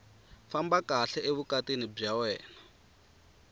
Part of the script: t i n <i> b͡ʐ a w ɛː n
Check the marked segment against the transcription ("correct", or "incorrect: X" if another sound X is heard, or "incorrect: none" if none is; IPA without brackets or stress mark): correct